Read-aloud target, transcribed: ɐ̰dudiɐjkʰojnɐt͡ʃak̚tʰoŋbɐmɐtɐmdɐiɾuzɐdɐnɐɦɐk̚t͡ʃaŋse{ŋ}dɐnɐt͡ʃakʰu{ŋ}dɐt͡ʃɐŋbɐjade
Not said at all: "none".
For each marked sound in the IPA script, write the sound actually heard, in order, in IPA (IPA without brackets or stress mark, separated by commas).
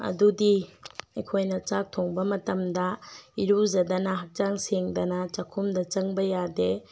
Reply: ŋ, m